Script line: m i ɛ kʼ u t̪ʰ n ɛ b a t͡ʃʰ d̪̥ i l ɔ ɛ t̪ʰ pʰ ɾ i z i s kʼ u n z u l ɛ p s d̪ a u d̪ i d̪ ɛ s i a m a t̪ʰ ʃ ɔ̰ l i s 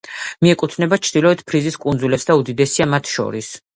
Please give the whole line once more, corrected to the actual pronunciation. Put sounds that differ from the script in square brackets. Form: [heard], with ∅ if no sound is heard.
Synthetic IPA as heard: m i ɛ kʼ u t̪ʰ n ɛ b a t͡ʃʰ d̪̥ i l ɔ ɛ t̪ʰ pʰ ɾ i z i s kʼ u n z u l ɛ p s d̪ a u d̪ i d̪ ɛ s i a m a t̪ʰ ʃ ɔ̰ [ɾ] i s